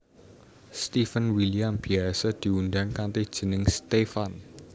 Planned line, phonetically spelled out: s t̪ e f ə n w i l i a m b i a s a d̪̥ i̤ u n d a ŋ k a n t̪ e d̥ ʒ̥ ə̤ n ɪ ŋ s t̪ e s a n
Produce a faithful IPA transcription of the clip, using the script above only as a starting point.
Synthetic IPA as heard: s t̪ i f ə n w i l i a m b i a s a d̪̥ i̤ u n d a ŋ k a n t̪ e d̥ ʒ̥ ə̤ n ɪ ŋ s t̪ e f a n